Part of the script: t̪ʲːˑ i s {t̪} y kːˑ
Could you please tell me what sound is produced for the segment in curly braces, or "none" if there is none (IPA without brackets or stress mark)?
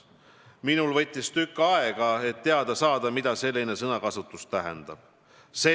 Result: t̪